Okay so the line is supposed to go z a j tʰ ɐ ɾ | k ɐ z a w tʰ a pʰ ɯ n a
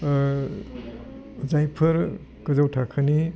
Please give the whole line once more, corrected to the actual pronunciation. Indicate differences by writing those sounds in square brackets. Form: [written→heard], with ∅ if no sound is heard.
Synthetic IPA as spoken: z a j [tʰ→pʰ] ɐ ɾ | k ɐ z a w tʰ a [pʰ→kʰ] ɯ n [a→i]